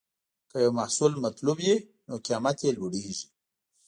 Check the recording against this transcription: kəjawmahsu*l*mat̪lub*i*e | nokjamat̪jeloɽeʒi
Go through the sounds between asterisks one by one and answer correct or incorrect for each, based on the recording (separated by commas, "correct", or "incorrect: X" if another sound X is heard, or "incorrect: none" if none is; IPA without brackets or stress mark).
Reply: correct, incorrect: j